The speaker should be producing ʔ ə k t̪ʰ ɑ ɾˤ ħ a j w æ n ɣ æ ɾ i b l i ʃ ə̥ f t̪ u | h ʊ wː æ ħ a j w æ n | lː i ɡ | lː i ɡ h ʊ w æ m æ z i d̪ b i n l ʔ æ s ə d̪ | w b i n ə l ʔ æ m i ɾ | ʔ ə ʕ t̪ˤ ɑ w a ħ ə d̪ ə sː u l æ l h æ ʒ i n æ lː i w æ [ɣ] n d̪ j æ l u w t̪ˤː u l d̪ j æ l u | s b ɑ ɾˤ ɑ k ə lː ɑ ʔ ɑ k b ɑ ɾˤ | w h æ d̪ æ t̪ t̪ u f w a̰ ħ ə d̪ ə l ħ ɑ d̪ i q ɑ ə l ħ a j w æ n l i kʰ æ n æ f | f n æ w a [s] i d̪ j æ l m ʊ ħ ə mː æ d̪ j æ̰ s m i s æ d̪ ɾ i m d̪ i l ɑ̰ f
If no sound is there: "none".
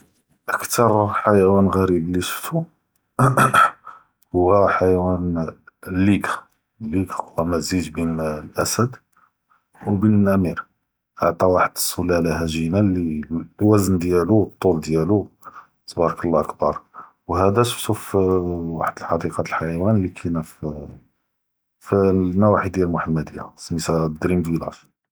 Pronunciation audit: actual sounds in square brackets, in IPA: z, ħ

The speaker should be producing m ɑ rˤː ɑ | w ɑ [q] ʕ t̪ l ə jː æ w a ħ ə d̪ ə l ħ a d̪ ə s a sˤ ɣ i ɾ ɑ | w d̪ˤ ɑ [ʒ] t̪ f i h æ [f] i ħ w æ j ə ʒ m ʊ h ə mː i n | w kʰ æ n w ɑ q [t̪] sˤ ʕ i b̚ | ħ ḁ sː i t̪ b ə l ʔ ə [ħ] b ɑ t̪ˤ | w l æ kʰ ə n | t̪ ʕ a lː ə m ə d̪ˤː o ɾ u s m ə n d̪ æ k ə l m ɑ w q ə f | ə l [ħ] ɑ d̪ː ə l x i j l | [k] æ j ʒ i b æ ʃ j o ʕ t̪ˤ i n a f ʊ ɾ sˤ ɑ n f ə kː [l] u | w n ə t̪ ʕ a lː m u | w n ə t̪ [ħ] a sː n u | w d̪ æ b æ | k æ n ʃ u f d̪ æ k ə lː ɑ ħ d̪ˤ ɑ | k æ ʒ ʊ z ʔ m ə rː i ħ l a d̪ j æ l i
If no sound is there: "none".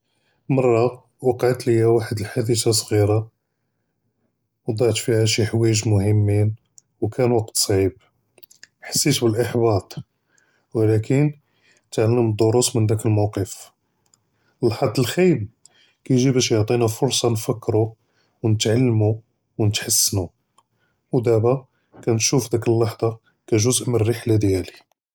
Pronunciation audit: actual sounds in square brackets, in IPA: q, ʕ, ʃ, t̪, ħ, ħ, k, ɾ, ħ

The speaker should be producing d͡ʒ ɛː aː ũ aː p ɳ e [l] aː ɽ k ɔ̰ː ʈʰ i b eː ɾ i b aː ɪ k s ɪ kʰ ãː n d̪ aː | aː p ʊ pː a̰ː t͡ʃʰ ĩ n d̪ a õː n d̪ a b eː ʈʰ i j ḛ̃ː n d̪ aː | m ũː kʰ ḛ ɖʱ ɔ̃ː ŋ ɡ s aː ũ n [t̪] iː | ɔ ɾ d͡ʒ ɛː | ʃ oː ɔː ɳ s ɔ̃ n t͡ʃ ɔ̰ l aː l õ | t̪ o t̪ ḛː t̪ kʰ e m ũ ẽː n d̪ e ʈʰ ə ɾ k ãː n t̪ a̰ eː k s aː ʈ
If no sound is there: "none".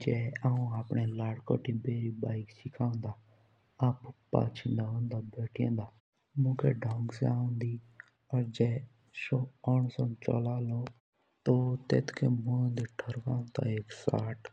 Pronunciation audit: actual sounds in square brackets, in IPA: l, d̪

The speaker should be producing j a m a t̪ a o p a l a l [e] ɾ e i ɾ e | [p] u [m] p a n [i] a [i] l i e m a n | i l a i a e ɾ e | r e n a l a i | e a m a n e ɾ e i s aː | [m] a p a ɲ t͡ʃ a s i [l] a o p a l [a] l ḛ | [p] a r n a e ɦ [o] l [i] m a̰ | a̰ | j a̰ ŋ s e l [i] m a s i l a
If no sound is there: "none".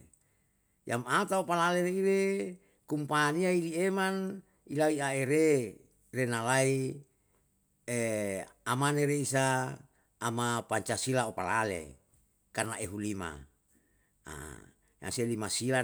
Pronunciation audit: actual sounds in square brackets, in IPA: e, k, m, i, i, m, l, a, k, u, i, i

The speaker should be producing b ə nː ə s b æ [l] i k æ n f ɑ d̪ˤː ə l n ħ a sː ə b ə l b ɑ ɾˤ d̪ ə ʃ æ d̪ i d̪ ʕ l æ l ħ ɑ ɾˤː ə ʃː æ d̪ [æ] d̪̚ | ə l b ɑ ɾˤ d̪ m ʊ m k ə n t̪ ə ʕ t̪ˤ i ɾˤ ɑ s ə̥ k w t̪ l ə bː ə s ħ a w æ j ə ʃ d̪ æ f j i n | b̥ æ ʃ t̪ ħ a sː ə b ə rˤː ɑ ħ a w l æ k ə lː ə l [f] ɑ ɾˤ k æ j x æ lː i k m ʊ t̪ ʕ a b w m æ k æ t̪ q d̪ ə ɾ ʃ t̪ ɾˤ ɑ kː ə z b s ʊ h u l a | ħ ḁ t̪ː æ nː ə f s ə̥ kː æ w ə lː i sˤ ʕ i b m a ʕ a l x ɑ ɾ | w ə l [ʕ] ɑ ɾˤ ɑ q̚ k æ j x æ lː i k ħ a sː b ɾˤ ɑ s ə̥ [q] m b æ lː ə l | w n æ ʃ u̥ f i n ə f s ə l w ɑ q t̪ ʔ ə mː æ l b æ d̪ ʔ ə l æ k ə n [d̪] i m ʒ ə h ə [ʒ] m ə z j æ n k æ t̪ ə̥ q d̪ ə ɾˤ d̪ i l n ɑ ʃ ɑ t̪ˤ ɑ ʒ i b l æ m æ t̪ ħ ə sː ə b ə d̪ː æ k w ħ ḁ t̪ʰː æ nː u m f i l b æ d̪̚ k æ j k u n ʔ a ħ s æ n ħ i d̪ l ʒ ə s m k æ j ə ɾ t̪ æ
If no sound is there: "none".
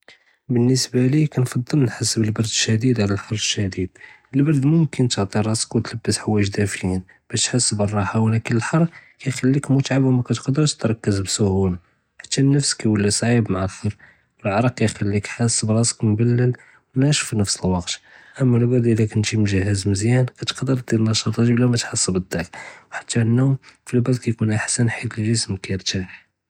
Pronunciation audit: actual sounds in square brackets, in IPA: l, i, ħ, ʕ, k, t̪, z

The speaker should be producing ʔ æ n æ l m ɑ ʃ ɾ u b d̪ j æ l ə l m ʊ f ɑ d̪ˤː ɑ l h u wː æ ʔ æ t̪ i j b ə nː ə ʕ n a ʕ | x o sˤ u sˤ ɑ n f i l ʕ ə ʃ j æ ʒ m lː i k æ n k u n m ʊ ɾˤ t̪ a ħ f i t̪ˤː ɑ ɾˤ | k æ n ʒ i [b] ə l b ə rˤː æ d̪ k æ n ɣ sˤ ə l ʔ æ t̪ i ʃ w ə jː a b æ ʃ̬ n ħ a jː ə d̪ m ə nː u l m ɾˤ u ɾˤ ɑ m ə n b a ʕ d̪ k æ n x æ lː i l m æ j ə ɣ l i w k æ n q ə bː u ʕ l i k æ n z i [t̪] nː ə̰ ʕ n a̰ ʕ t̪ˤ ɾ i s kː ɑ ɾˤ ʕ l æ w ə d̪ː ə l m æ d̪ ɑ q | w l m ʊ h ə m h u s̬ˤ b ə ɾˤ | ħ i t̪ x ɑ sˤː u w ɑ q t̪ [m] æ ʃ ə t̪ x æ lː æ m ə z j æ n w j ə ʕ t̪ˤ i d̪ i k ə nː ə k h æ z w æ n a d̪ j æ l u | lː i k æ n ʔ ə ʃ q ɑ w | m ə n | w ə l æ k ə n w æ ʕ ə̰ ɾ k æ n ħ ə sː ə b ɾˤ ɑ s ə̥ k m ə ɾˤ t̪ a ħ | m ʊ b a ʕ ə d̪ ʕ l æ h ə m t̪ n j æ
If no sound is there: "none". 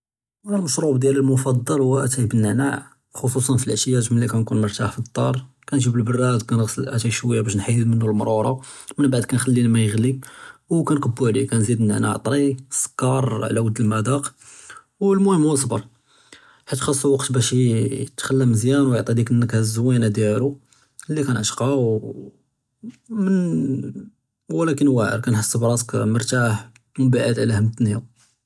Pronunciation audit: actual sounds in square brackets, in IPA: b, d̪, b

